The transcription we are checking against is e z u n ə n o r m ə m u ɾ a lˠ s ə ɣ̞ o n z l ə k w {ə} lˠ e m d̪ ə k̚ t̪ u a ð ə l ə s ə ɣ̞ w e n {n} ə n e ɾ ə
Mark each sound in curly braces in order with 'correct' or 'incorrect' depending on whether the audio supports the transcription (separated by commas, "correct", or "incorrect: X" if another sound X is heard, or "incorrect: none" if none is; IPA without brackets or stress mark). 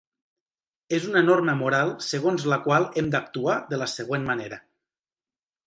incorrect: a, incorrect: m